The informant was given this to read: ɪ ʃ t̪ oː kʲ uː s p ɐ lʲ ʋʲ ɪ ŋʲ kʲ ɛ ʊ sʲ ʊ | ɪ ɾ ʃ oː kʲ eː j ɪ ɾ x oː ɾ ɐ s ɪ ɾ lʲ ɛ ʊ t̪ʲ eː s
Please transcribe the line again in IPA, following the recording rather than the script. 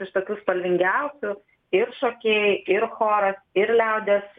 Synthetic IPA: ɪ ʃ t̪ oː kʲ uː s p ɐ lʲ ʋʲ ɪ ŋʲ ɡʲ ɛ ʊ sʲ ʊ | ɪ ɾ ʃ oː kʲ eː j ɪ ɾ x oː ɾ ɐ s ɪ ɾ lʲ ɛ ʊ d̪ʲ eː s